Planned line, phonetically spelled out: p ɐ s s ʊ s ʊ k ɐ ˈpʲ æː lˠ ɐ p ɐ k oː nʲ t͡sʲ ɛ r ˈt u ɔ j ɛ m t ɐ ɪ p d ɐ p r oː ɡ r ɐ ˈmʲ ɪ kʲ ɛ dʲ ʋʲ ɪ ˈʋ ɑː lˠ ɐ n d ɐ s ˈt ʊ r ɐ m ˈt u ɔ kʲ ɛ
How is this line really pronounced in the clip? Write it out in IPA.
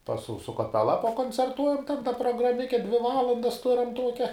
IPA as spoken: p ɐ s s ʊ s ʊ k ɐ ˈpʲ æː lˠ ɐ p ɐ k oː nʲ t͡sʲ ɛ r ˈt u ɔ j ɛ m t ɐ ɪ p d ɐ p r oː ɡ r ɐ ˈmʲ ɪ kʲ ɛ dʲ ʋʲ ɪ ˈʋ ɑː lˠ ɐ n d ɐ s ˈt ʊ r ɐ m ˈt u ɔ kʲ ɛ